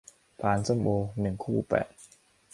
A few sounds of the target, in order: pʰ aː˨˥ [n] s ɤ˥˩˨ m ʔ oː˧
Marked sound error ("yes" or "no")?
no